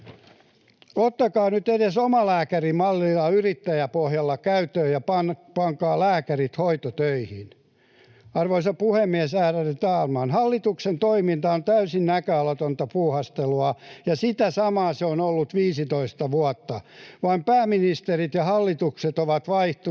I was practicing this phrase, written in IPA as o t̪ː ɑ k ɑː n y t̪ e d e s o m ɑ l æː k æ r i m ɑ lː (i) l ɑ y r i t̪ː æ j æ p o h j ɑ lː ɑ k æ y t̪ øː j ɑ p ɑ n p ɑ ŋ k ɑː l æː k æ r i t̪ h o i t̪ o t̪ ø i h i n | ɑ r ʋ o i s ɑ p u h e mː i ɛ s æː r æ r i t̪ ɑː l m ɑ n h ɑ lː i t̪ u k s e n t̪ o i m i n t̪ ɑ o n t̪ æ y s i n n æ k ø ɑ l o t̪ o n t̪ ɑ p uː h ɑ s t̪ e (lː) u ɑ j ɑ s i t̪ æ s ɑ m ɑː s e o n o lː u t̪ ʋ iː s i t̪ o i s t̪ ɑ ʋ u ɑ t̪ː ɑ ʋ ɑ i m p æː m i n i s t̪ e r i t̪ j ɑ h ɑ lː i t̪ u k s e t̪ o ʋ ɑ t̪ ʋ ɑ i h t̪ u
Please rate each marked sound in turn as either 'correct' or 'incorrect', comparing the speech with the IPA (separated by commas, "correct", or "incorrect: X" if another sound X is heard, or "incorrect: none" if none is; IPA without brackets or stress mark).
correct, incorrect: l